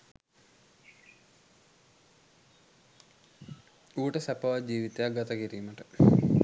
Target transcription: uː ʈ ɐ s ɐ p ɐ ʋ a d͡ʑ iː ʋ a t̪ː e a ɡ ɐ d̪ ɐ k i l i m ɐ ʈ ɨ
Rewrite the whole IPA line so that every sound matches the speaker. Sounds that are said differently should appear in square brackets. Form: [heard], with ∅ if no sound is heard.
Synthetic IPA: uː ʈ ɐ s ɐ p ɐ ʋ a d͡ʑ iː ʋ [i] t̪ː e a ɡ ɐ [t̪] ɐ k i [ɾ] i m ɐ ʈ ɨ